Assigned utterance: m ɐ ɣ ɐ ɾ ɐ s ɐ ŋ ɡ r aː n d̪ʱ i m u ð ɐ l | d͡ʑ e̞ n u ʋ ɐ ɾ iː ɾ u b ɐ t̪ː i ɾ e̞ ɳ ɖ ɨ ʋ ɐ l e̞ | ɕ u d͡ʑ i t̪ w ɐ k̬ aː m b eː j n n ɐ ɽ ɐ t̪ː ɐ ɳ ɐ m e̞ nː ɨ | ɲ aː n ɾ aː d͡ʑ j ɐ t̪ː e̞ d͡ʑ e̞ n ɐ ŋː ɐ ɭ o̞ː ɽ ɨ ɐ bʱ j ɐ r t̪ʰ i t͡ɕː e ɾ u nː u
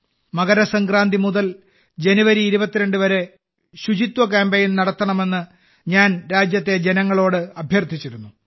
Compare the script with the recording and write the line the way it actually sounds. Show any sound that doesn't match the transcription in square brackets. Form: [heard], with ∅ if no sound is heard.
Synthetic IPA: m ɐ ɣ ɐ ɾ ɐ s ɐ ŋ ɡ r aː n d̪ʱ i m u ð ɐ l | d͡ʑ e̞ n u ʋ ɐ ɾ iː ɾ u b ɐ t̪ː i ɾ e̞ ɳ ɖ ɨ ʋ ɐ [ɾ] e̞ | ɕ u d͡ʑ i t̪ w ɐ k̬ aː m b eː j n n ɐ ɽ ɐ t̪ː ɐ ɳ ɐ m e̞ nː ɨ | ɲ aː n ɾ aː d͡ʑ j ɐ t̪ː e̞ d͡ʑ e̞ n ɐ ŋː ɐ ɭ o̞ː ɽ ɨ ɐ bʱ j ɐ r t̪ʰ i t͡ɕː [i] ɾ u nː u